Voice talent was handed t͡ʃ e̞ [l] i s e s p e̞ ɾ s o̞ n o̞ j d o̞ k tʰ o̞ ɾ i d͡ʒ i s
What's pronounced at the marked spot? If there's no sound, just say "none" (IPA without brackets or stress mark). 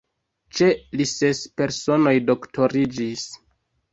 l